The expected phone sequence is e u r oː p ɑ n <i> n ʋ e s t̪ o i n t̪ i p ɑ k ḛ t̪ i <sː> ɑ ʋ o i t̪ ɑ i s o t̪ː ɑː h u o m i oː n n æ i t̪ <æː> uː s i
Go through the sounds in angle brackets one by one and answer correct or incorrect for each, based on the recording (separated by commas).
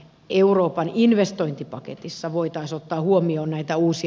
correct, correct, incorrect